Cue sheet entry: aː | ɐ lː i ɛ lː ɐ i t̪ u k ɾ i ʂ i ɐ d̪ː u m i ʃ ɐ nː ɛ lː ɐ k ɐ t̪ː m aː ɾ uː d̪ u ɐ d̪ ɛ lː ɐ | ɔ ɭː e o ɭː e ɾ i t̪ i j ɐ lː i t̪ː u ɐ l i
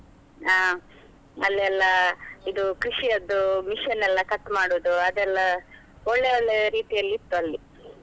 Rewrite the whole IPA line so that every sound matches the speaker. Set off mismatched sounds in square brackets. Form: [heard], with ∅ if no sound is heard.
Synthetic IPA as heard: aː | ɐ lː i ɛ lː ɐ i [d̪] u k ɾ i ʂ i ɐ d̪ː u m i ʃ ɐ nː ɛ lː ɐ k ɐ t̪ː m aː [ɽ] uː d̪ u ɐ d̪ ɛ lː ɐ | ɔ ɭː e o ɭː e ɾ [iː] t̪ i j ɐ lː i t̪ː u ɐ [lː] i

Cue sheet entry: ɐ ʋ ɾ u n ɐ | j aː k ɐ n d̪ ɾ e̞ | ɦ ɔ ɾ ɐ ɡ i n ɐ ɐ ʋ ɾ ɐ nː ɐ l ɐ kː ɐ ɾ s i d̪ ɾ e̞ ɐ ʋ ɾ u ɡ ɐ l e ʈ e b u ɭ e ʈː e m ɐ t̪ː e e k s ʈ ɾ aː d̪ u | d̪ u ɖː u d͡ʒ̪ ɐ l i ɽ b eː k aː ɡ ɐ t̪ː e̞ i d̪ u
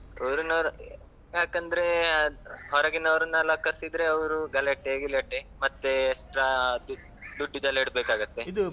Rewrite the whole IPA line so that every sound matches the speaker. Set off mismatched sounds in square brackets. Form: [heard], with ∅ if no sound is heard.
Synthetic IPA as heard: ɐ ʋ ɾ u n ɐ | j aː k ɐ n d̪ ɾ e̞ | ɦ ɔ ɾ ɐ ɡ i n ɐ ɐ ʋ ɾ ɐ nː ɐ l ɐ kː ɐ ɾ s i d̪ ɾ e̞ ɐ ʋ ɾ u ɡ ɐ l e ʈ e [ɡ] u [l] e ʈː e m ɐ t̪ː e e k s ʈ ɾ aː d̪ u | d̪ u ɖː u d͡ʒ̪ ɐ l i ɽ b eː k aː ɡ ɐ t̪ː e̞ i d̪ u

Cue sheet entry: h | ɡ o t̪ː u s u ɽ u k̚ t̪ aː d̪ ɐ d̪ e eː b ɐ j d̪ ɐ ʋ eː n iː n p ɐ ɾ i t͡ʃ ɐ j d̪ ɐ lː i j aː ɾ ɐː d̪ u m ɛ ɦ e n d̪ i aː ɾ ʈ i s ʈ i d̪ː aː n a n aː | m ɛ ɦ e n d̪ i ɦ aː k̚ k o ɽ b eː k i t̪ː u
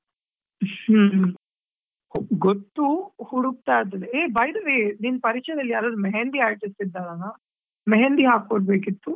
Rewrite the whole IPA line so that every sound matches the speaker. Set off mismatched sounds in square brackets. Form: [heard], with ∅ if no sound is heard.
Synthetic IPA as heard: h | ɡ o t̪ː u [h] u ɽ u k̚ t̪ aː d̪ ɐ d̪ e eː b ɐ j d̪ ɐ ʋ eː n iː n p ɐ ɾ i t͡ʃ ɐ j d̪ ɐ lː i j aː ɾ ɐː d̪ u m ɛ ɦ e n d̪ i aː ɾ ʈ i s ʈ i d̪ː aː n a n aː | m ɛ ɦ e n d̪ i ɦ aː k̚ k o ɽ b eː k i t̪ː u

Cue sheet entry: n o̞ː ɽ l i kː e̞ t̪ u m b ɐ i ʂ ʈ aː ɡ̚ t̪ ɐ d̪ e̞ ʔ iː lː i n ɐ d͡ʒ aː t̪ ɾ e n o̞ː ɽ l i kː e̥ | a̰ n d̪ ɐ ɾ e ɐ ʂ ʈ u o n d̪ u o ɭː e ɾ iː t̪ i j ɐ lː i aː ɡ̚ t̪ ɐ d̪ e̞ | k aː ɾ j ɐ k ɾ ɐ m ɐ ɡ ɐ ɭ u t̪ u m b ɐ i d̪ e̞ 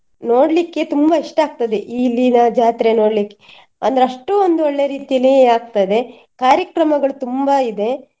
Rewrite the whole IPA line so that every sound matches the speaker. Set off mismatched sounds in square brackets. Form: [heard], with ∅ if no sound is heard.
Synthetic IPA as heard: n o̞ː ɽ l i kː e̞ t̪ u m b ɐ i ʂ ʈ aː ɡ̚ t̪ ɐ d̪ e̞ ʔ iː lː i n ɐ d͡ʒ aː t̪ ɾ e n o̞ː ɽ l i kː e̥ | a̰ n d̪ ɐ ɾ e ɐ ʂ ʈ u o n d̪ u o ɭː e ɾ iː t̪ i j ɐ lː i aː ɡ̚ t̪ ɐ d̪ e̞ | k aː ɾ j ɐ k ɾ ɐ m ɐ ɡ ɐ ɭ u t̪ u m b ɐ i d̪ e̞

